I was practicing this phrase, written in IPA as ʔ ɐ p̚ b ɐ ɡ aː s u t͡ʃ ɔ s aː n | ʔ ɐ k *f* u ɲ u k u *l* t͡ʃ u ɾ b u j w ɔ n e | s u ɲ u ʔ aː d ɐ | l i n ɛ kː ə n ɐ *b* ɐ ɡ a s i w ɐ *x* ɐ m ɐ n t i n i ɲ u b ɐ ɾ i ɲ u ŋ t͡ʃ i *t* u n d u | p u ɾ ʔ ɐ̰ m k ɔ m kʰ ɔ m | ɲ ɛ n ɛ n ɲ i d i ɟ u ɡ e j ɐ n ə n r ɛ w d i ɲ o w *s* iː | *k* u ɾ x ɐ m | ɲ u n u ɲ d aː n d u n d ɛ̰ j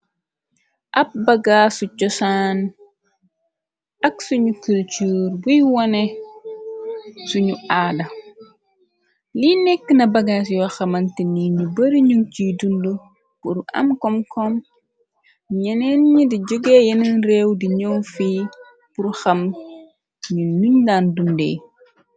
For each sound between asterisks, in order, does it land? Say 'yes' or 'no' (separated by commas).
no, yes, yes, yes, no, no, no